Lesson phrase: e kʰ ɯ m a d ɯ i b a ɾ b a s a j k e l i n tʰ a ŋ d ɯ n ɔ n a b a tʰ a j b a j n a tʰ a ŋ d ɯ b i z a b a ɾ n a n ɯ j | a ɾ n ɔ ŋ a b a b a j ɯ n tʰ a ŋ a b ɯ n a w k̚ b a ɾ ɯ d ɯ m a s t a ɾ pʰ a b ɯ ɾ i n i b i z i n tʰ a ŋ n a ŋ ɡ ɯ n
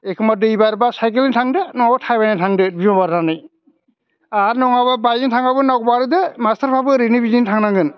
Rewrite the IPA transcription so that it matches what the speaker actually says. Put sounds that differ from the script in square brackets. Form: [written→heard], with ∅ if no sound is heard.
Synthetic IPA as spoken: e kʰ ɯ m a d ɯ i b a ɾ b a s a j k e l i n tʰ a ŋ d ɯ n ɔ [n→ŋ] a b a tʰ a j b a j n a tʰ a ŋ d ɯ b i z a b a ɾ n a n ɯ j | a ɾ n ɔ ŋ a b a b a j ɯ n tʰ a ŋ a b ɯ n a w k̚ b a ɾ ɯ d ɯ m a s t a ɾ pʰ a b ɯ ɾ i n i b i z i n tʰ a ŋ n a ŋ ɡ ɯ n